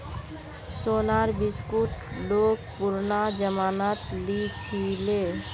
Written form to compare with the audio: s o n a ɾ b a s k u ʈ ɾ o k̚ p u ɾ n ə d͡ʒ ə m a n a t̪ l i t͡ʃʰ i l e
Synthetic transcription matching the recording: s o n a ɾ b i s k u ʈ l o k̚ p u ɾ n a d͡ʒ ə m a n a t̪ l i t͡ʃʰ i l e